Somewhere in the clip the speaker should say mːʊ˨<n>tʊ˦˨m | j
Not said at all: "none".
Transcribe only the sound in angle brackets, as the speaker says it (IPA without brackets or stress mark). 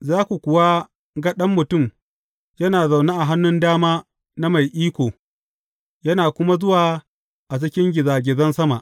none